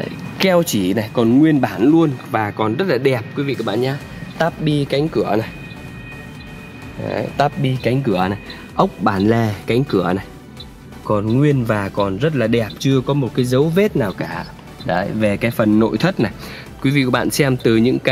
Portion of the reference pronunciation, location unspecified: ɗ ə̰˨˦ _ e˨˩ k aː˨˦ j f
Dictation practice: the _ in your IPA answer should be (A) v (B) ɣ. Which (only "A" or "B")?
A